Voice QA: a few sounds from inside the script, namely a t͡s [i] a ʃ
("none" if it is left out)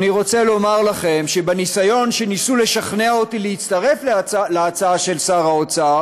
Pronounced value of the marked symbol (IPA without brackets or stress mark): a